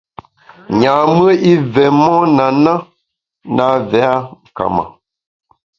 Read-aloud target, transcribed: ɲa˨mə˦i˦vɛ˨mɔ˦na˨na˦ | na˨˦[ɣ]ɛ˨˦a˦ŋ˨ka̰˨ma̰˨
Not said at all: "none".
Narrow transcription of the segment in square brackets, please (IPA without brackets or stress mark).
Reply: v